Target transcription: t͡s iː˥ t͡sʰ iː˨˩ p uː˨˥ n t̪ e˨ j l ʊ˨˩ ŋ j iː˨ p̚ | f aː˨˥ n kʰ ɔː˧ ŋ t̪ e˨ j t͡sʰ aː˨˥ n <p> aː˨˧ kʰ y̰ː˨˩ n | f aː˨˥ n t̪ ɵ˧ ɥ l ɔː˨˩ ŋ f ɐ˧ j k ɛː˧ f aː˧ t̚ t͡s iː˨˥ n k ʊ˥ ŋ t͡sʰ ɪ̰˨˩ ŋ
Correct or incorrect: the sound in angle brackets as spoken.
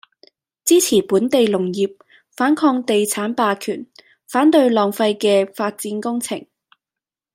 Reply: correct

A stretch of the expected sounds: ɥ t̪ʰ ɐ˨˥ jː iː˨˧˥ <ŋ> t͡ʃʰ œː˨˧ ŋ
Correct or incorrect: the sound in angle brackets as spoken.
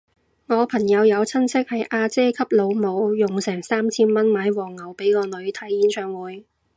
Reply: incorrect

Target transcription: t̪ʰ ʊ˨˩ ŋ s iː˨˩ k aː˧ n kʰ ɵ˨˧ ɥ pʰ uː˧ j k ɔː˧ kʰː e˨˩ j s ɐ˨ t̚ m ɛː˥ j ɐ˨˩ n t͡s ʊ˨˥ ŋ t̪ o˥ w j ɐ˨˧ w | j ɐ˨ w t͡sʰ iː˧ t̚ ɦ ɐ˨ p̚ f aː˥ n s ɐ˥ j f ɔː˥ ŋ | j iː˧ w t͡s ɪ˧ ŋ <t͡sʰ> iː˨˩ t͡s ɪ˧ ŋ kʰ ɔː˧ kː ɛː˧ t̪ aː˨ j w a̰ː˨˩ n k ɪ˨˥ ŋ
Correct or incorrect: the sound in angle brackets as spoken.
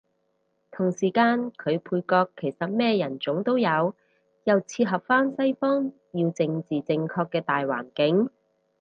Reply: incorrect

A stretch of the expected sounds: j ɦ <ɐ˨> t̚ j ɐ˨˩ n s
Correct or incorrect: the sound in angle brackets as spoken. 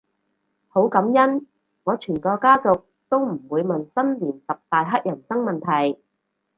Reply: incorrect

